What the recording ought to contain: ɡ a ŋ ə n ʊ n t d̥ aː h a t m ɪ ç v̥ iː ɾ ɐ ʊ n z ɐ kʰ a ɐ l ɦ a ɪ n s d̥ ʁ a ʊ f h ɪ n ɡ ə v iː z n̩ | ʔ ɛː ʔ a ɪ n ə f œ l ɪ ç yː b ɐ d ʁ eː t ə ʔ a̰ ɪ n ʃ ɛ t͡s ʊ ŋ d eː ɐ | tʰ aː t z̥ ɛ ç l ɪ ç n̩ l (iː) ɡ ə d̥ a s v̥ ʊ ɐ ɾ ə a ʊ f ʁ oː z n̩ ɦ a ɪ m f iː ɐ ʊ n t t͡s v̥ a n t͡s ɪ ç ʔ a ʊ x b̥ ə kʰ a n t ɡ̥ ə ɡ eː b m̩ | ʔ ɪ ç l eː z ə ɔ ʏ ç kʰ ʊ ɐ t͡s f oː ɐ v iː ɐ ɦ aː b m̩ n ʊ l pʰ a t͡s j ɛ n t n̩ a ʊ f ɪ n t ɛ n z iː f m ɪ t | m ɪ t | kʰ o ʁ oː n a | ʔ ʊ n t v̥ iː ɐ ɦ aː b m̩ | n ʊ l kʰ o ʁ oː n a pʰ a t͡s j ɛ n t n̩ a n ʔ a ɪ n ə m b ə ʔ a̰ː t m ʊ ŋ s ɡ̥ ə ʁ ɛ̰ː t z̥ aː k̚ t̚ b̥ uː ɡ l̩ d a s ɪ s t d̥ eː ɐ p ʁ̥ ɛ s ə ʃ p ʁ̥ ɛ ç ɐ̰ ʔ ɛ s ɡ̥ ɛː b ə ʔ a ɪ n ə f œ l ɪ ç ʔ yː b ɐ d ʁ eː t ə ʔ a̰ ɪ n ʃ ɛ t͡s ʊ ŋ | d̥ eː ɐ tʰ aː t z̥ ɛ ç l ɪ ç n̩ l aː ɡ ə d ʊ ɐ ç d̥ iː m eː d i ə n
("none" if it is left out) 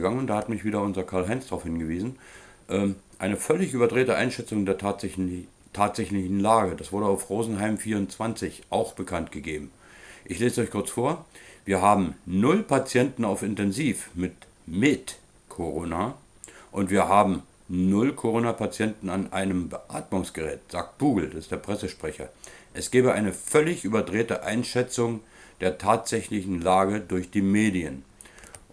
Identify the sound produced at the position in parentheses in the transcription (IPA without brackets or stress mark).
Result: aː